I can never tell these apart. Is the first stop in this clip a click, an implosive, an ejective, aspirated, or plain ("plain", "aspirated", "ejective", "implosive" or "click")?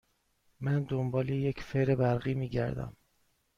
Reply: plain